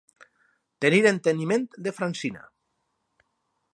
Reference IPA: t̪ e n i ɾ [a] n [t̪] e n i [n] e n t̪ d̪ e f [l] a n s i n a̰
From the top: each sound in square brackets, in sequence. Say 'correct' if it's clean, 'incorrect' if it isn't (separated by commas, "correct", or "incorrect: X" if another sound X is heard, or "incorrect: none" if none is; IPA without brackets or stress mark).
incorrect: e, correct, incorrect: m, incorrect: ɾ